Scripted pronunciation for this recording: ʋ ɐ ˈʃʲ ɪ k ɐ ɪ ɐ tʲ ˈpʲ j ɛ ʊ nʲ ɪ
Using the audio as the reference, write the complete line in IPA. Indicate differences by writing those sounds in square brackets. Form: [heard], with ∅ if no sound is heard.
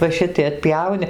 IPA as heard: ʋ ɐ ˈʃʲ ɪ [t] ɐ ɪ ɐ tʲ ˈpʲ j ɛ ʊ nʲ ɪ